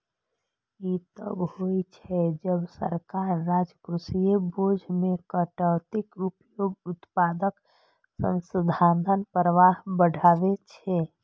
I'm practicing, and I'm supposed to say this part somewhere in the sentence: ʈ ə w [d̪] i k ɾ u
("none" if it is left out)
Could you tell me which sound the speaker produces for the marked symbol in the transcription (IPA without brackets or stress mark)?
t̪